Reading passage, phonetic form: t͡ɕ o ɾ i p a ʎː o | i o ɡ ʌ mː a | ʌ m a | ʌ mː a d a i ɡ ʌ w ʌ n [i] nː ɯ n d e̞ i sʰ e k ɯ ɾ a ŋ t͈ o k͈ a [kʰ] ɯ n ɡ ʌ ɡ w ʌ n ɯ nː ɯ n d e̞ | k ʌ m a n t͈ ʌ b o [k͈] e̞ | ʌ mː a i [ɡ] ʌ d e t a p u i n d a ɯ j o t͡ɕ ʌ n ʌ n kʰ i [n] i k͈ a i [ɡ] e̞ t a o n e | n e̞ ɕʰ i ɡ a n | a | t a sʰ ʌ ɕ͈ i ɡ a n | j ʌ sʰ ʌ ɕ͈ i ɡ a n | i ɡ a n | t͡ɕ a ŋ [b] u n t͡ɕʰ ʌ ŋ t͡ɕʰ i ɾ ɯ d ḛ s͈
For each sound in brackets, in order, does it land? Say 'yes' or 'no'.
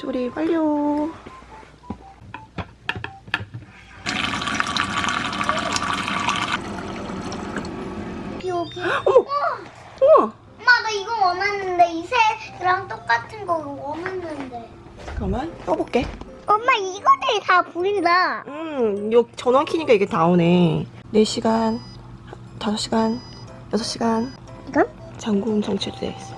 no, no, yes, yes, no, yes, no

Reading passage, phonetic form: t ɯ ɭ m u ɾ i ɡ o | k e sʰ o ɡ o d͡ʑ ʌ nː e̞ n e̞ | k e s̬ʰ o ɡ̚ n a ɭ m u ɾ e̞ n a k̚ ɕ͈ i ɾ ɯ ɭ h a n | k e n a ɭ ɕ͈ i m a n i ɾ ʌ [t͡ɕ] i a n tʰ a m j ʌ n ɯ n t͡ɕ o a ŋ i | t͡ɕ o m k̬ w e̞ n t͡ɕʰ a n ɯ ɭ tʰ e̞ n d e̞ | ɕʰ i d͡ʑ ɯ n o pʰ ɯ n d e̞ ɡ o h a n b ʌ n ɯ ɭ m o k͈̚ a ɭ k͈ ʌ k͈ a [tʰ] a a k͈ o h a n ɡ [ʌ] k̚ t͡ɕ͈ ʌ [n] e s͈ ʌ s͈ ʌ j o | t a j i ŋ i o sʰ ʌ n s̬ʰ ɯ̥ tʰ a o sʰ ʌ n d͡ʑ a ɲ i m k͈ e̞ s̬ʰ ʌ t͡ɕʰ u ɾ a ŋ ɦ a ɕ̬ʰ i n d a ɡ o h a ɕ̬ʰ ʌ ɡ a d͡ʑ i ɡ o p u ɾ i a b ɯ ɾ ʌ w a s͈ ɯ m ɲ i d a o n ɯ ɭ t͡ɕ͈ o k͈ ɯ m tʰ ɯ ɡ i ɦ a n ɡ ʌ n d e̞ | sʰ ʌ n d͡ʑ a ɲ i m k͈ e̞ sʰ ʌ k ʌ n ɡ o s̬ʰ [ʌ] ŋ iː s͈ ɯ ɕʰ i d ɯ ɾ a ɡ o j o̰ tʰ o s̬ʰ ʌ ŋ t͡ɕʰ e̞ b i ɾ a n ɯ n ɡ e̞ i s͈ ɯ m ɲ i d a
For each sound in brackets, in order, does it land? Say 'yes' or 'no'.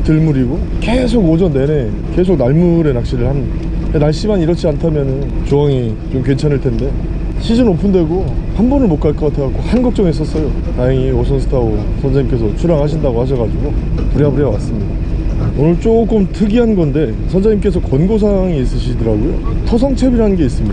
no, yes, yes, no, no

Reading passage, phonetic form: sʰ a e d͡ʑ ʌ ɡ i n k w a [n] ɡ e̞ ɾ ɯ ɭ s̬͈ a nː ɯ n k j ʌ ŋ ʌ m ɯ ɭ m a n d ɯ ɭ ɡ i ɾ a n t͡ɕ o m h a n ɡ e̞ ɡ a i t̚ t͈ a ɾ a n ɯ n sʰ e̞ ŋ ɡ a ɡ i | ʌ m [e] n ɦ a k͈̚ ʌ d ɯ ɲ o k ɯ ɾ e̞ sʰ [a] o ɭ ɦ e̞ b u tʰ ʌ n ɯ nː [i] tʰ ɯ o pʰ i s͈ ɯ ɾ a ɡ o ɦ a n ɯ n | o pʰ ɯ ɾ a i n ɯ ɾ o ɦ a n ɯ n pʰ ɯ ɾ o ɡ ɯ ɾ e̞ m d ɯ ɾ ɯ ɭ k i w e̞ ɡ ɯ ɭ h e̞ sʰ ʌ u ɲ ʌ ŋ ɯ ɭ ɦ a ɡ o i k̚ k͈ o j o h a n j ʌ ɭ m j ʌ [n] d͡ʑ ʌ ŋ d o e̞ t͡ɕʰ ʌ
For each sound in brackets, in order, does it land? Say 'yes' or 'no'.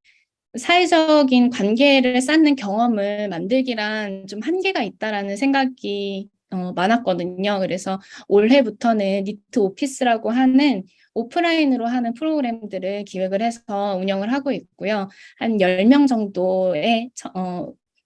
yes, no, no, yes, no

